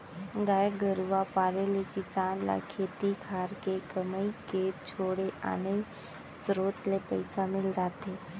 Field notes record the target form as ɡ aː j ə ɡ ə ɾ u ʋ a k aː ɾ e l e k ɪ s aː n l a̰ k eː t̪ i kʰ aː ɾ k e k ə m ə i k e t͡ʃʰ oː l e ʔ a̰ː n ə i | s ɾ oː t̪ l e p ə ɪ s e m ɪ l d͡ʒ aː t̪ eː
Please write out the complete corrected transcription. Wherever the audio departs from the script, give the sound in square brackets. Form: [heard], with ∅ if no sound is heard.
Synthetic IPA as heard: ɡ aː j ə ɡ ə ɾ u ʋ a [p] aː ɾ e l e k ɪ s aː n l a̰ [kʰ] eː t̪ i kʰ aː ɾ k e k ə m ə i k e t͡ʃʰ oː [ɽ] e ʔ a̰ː n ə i | s ɾ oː t̪ l e p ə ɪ s [a] m ɪ l d͡ʒ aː t̪ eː